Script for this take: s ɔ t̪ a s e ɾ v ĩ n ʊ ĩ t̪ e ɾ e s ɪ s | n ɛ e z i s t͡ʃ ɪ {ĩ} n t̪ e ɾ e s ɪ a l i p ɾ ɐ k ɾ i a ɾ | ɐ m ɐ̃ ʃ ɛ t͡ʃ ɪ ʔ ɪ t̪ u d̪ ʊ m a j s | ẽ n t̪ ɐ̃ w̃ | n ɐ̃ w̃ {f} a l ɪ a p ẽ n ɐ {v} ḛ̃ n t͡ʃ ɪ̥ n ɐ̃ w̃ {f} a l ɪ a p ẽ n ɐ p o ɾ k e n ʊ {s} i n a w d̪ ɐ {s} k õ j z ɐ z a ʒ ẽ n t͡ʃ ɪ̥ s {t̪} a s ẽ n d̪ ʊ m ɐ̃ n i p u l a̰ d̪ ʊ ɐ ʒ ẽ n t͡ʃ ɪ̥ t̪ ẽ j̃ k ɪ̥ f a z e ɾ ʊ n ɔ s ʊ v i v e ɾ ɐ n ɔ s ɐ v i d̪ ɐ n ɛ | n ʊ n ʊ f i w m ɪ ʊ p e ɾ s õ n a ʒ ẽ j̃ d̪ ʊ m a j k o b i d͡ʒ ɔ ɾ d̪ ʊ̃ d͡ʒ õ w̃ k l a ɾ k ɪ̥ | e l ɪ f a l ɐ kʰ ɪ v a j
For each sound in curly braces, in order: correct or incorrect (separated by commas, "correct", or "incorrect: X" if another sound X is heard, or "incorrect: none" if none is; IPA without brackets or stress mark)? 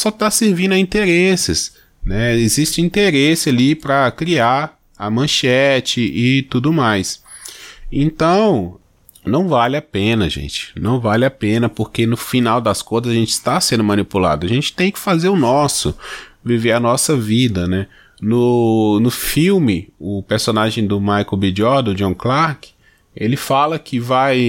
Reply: correct, incorrect: v, incorrect: ʒ, incorrect: v, incorrect: f, correct, correct